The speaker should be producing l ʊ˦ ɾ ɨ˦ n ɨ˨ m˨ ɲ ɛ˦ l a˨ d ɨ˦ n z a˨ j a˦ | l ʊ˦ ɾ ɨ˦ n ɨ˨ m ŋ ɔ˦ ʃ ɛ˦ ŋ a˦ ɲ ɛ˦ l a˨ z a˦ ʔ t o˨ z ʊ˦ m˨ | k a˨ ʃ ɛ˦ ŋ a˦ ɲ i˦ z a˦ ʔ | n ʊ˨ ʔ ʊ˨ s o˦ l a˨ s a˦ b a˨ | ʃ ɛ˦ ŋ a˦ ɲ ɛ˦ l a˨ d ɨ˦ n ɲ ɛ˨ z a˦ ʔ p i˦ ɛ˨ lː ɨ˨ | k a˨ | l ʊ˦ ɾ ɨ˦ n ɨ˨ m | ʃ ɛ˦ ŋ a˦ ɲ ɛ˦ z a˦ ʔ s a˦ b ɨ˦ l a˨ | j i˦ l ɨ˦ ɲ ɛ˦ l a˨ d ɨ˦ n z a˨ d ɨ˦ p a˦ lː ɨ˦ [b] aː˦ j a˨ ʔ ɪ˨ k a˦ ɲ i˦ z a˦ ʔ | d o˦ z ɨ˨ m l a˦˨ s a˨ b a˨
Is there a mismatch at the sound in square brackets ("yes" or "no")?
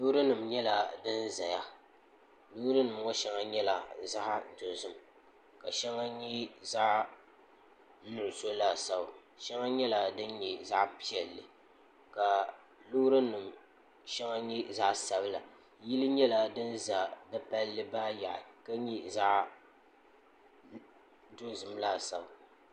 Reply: no